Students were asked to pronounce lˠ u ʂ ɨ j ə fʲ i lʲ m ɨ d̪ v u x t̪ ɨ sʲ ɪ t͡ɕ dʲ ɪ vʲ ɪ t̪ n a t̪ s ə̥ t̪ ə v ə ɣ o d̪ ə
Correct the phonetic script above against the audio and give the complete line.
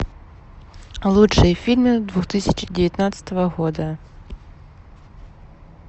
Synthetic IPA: lˠ u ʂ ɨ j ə fʲ i lʲ m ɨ d̪ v u x t̪ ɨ sʲ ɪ t͡ɕ dʲ ɪ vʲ ɪ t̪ n a t̪ s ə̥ t̪ ə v ə ɣ o d̪ ə